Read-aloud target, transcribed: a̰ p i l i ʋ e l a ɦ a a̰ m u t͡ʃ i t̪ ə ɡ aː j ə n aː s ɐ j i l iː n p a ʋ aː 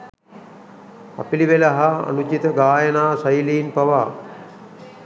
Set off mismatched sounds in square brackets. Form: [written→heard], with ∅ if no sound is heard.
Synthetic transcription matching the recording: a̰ p i l i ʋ e l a ɦ a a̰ [m→n] u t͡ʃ i t̪ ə ɡ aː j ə n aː s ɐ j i l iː n p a ʋ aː